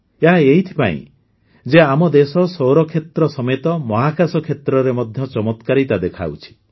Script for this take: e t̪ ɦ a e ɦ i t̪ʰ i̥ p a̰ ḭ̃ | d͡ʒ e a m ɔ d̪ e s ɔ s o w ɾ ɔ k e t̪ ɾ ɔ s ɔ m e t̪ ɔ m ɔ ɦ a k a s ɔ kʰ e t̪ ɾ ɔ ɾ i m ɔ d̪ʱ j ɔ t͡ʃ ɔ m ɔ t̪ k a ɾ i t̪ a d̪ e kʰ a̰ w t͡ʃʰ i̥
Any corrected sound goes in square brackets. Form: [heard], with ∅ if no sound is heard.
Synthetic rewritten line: e [∅] ɦ a e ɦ i t̪ʰ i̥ p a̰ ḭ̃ | d͡ʒ e a m ɔ d̪ e s ɔ s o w ɾ ɔ [kʰ] e t̪ ɾ ɔ s ɔ m e t̪ ɔ m ɔ ɦ a k a s ɔ kʰ e t̪ ɾ ɔ ɾ [e] m ɔ d̪ʱ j ɔ t͡ʃ ɔ m ɔ t̪ k a ɾ i t̪ a d̪ e kʰ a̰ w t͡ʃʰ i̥